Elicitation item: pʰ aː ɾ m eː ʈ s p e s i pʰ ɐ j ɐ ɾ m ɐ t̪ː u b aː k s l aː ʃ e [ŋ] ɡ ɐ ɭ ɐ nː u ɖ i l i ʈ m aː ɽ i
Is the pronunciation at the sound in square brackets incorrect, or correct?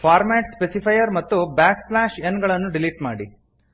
incorrect